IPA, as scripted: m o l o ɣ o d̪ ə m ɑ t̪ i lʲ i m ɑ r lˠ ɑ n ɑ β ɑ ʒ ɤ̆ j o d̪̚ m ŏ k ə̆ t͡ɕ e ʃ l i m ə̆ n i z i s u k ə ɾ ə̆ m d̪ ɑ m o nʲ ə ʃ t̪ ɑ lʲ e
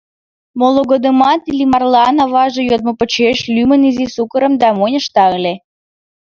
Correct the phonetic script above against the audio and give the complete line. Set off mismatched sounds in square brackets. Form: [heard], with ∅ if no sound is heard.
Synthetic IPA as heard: m o l o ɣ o d̪ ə m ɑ t̪ i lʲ i m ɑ r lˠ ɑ n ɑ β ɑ ʒ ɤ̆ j o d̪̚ m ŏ [p] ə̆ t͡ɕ e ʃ l [y] m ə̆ n i z i s u k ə ɾ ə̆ m d̪ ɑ m o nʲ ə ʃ t̪ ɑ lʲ e